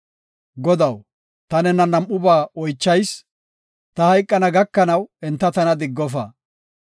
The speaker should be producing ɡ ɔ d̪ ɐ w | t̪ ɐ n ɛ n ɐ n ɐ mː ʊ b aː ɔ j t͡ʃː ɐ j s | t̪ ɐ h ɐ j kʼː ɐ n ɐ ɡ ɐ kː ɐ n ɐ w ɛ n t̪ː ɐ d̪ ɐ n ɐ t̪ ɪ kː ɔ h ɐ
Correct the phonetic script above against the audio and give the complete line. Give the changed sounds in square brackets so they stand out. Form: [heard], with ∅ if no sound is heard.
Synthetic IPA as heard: ɡ ɔ d̪ ɐ w | t̪ ɐ n ɛ n ɐ n ɐ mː ʊ b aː ɔ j t͡ʃː ɐ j s | t̪ ɐ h ɐ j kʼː ɐ n ɐ ɡ ɐ kː ɐ n ɐ w ɛ n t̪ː ɐ [t̪] ɐ n ɐ [d̪] ɪ [ɡː] ɔ [f] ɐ

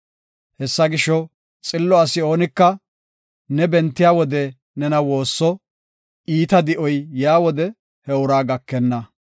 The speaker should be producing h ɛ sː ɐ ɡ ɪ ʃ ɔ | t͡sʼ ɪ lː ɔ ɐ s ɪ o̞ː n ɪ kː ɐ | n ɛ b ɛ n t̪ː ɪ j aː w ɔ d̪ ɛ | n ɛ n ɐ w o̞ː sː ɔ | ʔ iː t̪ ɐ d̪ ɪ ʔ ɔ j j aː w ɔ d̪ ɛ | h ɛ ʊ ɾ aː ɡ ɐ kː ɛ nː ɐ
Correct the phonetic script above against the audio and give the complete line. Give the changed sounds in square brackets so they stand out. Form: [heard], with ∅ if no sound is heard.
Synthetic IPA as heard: h ɛ sː ɐ ɡ ɪ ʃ ɔ | t͡sʼ ɪ lː ɔ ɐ s ɪ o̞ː n ɪ kː ɐ | n ɛ b ɛ n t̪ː ɪ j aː w ɔ d̪ ɛ | n ɛ n ɐ w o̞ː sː ɔ | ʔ iː t̪ ɐ d̪ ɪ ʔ ɔ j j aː w ɔ d̪ ɛ | h ɛ ʊ ɾ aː ɡ ɐ kː ɛ nː ɐ

